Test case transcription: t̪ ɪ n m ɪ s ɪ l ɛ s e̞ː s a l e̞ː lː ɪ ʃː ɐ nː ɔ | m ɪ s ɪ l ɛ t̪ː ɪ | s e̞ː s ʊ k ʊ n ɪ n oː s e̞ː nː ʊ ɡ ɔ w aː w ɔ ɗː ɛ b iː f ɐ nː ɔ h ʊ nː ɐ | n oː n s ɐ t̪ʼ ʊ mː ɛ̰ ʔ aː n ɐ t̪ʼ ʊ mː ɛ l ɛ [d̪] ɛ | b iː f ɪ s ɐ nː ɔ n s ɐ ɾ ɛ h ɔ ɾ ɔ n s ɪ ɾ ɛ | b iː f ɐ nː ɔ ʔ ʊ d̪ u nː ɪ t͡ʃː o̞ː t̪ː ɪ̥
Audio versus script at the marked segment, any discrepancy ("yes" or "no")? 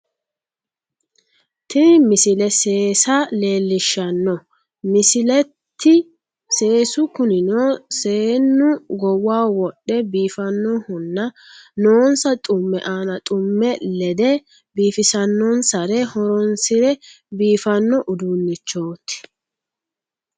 no